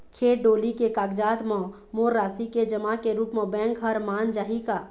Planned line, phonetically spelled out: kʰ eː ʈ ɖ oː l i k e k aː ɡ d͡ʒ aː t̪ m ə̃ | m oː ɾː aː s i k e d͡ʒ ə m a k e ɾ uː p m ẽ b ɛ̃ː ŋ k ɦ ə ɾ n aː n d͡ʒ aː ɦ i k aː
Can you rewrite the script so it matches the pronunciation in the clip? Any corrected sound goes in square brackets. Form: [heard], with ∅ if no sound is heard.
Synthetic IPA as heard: kʰ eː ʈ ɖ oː l i k e k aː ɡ d͡ʒ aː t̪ m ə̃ | m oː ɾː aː s i k e d͡ʒ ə m a k e ɾ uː p m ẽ b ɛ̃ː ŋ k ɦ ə ɾ [m] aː n d͡ʒ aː ɦ i k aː

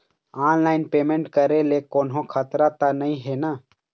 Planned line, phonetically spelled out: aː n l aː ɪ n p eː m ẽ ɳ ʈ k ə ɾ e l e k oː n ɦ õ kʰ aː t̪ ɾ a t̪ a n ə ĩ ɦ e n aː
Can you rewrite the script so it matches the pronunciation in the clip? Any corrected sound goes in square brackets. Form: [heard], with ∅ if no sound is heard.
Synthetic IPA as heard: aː n l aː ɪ n p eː m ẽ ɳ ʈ k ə ɾ e l e k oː n ɦ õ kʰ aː t̪ ɾ a t̪ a n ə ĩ ɦ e n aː

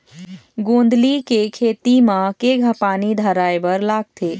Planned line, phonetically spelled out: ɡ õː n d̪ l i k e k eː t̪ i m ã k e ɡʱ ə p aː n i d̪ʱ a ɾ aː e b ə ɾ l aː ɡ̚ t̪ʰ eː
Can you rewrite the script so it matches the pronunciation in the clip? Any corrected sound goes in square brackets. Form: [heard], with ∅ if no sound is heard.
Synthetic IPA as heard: ɡ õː n d̪ l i k e [kʰ] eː t̪ i m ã k e ɡʱ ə p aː n i d̪ʱ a ɾ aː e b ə ɾ l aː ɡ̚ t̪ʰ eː

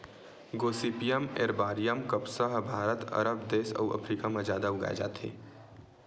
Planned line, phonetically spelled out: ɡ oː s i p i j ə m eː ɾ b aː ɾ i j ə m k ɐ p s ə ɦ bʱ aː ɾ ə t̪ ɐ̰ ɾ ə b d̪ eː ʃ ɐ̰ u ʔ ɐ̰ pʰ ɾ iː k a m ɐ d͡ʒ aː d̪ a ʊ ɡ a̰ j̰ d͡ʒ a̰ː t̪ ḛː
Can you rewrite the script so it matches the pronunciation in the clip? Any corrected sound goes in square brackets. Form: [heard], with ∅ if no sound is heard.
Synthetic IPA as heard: ɡ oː s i p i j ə m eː ɾ b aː ɾ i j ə m k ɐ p s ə ɦ bʱ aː ɾ ə t̪ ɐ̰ ɾ ə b d̪ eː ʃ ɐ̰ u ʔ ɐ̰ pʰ ɾ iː k a m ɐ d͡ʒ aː d̪ a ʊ ɡ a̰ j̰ d͡ʒ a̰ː t̪ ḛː

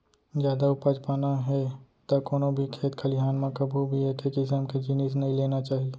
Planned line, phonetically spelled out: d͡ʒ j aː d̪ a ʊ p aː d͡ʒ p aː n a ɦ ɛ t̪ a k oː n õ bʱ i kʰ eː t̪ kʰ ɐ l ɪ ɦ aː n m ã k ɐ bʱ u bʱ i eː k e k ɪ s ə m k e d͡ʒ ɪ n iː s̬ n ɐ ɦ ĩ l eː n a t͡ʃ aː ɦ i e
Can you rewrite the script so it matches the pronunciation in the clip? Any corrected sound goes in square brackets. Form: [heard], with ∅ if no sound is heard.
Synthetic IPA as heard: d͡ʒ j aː d̪ a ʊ p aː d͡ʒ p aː n a ɦ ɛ t̪ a k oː n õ bʱ i kʰ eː t̪ kʰ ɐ l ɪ ɦ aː n m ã k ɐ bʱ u bʱ i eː k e k ɪ s ə m k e d͡ʒ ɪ n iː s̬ n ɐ ɦ ĩ l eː n a t͡ʃ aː ɦ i e

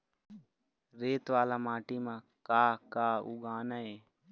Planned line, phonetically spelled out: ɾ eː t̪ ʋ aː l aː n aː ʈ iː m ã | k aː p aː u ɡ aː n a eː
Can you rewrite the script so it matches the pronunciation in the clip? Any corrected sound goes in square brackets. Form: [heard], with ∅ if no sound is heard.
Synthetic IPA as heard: ɾ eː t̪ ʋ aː l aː [m] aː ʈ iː m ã | k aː [k] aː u ɡ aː n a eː

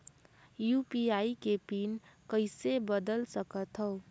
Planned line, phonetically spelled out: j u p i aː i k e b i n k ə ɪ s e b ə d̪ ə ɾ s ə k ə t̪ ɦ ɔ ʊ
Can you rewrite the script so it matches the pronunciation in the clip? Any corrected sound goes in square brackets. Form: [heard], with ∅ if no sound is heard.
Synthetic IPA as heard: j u p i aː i k e [p] i n k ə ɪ s e b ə d̪ ə [l] s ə k ə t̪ ɦ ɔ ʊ

